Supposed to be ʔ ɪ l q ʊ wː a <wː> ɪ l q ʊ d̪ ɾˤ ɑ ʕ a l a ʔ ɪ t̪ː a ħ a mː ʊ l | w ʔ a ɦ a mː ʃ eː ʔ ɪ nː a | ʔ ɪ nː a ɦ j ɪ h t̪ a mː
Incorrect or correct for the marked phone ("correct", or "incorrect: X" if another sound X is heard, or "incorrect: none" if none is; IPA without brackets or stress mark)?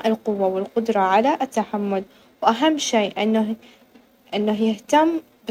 incorrect: w